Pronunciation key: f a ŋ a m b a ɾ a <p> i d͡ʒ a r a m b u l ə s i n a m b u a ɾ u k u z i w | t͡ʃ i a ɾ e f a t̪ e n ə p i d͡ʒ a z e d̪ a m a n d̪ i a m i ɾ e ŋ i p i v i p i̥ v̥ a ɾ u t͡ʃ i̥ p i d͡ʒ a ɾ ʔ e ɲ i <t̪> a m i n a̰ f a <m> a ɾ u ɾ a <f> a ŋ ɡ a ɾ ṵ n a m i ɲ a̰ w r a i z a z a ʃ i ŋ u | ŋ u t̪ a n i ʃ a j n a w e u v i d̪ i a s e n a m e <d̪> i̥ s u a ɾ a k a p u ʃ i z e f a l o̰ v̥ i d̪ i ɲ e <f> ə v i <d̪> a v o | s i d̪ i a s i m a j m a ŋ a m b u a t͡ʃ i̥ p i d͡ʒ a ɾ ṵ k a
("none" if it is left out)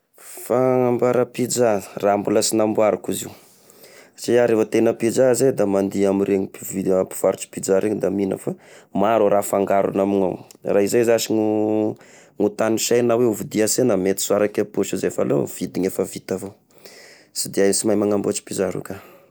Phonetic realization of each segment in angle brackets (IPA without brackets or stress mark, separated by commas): p, d̪, m, f, t̪, f, t̪